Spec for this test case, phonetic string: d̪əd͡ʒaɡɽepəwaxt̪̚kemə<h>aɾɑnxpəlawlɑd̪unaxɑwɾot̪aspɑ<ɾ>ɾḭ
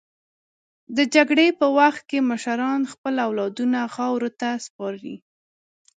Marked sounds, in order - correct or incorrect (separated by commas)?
incorrect, correct